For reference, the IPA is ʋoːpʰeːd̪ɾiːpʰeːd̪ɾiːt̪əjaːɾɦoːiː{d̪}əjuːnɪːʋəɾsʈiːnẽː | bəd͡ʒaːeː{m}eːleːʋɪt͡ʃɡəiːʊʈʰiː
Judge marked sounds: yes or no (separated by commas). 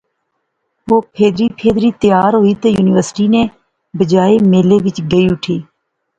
no, yes